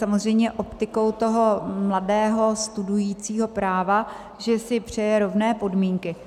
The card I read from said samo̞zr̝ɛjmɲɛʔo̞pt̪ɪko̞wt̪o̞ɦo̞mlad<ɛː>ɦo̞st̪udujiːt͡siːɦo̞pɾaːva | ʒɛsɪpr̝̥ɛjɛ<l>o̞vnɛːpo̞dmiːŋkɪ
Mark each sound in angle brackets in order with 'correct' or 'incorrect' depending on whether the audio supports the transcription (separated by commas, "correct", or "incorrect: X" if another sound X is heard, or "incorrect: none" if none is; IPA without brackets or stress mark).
correct, incorrect: ɾ